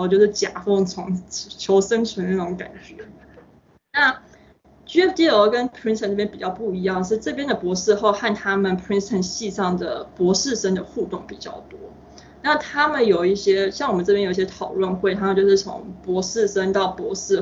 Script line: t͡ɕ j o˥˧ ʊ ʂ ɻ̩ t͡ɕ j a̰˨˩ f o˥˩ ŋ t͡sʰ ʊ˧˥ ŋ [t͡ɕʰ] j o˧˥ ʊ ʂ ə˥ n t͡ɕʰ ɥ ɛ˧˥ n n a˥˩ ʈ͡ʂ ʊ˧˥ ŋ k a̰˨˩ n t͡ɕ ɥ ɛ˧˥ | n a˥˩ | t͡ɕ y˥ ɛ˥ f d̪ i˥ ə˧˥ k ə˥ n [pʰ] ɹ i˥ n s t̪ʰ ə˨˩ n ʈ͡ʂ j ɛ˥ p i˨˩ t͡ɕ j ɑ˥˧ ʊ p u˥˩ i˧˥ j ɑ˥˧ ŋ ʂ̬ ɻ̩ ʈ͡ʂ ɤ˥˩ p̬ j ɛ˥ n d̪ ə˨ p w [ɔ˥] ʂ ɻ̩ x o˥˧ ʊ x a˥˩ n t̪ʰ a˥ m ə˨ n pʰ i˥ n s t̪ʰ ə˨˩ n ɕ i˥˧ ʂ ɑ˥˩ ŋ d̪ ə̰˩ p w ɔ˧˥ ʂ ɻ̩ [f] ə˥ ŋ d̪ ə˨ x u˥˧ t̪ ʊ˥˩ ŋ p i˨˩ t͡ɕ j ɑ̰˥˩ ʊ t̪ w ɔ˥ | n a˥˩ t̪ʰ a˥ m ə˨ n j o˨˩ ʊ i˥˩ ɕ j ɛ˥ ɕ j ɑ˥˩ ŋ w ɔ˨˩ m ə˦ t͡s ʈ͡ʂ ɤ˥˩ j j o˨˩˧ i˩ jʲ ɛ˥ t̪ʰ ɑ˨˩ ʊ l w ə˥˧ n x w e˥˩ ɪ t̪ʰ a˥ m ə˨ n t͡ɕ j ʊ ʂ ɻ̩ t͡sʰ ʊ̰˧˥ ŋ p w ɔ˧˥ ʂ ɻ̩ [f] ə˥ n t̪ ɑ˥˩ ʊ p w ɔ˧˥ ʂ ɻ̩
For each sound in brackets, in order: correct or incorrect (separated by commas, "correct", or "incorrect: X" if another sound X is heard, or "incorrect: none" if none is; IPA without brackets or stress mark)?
correct, correct, incorrect: ɔ˧˥, incorrect: ʂ, incorrect: ʂ